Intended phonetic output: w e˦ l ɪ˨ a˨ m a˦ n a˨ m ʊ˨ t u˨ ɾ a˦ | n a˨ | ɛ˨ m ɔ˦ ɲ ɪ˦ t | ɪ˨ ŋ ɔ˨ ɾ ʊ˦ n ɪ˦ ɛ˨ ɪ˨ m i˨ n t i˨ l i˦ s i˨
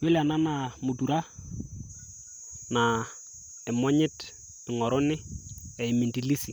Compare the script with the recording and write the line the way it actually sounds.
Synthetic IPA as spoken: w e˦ l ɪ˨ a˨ n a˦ n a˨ m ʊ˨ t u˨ ɾ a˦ | n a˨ | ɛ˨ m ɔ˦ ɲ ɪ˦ t | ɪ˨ ŋ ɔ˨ ɾ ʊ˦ n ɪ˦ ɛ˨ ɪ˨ m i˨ n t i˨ l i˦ s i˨